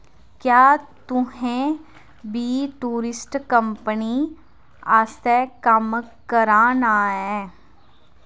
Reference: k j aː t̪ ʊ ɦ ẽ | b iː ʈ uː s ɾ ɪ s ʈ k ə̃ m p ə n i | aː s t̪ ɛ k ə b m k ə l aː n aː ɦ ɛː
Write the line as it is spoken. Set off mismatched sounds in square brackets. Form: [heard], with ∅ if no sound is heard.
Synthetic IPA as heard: k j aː t̪ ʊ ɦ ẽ | b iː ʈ uː [∅] ɾ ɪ s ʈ k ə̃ m p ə n i | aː s t̪ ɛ k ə [∅] m k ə [ɾ] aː n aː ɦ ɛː